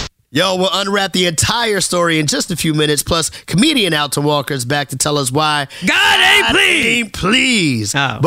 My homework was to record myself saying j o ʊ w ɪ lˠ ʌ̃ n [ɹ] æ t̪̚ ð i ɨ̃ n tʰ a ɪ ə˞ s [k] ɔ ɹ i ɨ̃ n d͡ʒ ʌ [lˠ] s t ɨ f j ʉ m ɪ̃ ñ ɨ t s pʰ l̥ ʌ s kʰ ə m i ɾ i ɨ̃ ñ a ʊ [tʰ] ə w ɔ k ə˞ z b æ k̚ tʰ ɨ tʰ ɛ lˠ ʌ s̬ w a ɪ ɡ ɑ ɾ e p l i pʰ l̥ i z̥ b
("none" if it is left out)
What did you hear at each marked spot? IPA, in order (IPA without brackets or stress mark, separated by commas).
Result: ɹ, t, none, tʰ